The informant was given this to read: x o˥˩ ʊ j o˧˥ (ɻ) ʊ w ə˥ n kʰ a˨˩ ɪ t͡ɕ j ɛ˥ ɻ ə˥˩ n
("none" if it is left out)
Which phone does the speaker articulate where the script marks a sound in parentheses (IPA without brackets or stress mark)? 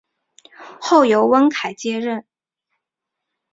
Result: none